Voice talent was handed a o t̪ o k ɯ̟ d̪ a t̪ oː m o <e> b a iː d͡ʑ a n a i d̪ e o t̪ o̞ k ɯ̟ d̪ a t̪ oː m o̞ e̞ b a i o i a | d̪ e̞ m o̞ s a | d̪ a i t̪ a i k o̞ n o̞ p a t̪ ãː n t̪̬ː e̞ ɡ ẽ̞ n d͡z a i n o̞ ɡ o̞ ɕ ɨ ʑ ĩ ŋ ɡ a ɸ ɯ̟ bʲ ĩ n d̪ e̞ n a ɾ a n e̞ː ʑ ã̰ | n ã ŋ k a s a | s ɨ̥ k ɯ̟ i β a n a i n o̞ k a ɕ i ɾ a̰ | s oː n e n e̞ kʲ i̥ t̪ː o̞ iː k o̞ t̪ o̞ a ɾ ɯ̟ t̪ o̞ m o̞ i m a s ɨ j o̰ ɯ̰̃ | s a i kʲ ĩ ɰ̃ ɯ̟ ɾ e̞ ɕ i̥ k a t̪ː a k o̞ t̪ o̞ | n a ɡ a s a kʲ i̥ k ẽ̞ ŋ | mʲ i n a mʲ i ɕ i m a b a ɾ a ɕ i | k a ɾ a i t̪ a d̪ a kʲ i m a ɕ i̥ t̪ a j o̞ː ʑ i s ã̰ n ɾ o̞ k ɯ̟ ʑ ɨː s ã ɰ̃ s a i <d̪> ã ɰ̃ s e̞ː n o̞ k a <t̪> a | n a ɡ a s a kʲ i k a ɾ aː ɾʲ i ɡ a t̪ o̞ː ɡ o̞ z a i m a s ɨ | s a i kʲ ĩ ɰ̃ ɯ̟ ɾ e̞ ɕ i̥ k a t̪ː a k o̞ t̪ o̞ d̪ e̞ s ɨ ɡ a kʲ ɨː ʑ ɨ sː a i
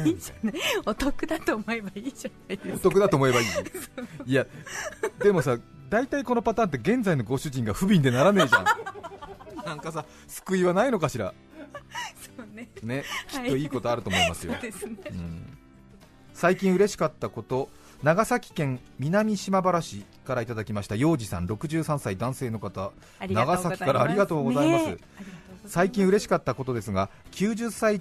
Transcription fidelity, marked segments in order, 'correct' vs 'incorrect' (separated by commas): correct, correct, correct